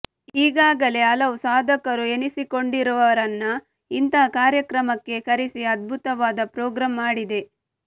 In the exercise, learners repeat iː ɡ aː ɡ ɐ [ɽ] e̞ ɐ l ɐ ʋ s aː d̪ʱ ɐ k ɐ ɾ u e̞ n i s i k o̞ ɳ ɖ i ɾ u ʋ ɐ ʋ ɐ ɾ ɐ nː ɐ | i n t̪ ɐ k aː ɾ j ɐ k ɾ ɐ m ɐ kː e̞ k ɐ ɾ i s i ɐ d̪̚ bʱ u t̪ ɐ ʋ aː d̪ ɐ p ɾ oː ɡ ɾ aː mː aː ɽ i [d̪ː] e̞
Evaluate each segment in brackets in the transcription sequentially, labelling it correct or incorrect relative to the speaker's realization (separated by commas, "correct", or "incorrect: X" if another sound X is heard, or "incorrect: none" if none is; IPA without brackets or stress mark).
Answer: incorrect: l, incorrect: d̪